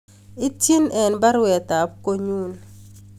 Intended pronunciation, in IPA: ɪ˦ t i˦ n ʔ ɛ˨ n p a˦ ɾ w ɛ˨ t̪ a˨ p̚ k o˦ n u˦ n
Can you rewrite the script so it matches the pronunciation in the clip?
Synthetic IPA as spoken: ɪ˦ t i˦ n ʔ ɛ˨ n b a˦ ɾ w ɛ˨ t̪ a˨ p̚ k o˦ ɲ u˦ n